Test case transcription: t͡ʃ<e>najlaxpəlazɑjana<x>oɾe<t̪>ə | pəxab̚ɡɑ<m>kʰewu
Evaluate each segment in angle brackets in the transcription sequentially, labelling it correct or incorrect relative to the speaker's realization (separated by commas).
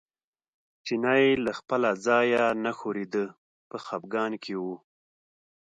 incorrect, correct, incorrect, incorrect